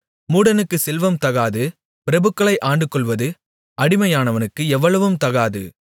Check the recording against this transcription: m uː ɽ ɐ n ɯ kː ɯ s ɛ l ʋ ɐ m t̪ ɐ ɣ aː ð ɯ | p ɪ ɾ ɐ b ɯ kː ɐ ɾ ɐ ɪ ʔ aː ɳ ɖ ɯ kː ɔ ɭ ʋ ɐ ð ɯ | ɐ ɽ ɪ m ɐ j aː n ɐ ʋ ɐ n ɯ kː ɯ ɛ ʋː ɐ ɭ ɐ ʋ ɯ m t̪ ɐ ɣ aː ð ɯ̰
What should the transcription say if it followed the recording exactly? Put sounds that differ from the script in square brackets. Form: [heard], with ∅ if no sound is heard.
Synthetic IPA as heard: m uː ɽ ɐ n ɯ kː ɯ s ɛ l ʋ ɐ m t̪ ɐ ɣ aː ð ɯ | p ɪ ɾ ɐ b ɯ kː ɐ [ɭ] ɐ ɪ ʔ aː ɳ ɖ ɯ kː ɔ ɭ ʋ ɐ ð ɯ | ɐ ɽ ɪ m ɐ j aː n ɐ ʋ ɐ n ɯ kː ɯ ɛ ʋː ɐ ɭ ɐ ʋ ɯ m t̪ ɐ ɣ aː ð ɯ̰